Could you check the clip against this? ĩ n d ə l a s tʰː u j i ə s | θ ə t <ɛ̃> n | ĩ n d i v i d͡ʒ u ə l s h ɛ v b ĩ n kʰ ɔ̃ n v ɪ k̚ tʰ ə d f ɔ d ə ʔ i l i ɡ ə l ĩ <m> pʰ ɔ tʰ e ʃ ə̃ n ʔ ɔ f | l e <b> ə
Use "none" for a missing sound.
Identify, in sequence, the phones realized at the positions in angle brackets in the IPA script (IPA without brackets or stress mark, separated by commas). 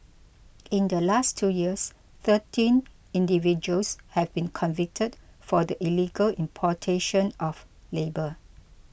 ĩ, m, b